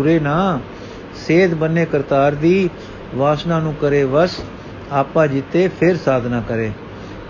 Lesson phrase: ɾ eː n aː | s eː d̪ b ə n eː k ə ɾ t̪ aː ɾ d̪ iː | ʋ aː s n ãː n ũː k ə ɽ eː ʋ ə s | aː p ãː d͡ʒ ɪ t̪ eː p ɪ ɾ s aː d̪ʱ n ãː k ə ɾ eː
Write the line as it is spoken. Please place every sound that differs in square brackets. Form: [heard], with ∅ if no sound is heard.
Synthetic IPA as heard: ɾ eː n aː | s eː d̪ b ə n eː k ə ɾ t̪ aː ɾ d̪ iː | ʋ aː s n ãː n ũː k ə [ɾ] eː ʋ ə s | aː p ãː d͡ʒ ɪ t̪ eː [pʰ] ɪ ɾ s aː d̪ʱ n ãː k ə ɾ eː